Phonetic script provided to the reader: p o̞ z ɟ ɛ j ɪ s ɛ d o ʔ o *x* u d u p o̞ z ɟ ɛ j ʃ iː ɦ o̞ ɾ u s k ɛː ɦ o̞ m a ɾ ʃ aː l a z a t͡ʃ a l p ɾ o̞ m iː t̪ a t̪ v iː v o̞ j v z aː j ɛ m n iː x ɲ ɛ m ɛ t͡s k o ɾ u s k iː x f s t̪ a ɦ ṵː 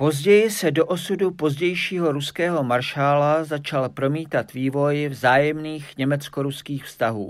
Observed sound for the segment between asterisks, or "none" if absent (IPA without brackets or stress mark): s